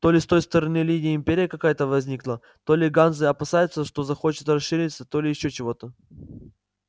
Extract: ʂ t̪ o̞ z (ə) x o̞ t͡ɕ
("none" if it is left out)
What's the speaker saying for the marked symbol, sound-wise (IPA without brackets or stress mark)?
ɐ